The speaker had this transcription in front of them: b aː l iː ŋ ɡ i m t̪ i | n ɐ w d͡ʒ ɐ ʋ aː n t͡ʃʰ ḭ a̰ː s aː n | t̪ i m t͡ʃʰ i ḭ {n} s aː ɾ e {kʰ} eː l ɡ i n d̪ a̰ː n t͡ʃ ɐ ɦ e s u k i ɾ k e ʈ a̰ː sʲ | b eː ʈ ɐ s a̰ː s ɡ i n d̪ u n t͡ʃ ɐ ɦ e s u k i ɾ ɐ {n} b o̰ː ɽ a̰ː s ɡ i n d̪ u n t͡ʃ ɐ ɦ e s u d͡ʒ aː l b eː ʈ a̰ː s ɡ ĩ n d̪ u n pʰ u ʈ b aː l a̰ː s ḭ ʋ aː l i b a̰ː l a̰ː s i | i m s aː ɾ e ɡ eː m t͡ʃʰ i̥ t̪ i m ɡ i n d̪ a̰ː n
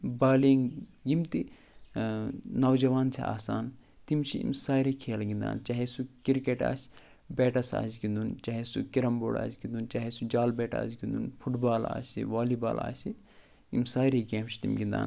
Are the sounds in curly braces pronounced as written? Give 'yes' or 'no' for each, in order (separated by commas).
no, yes, no